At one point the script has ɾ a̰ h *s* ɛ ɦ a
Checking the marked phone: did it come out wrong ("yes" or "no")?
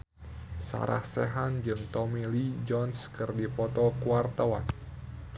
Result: no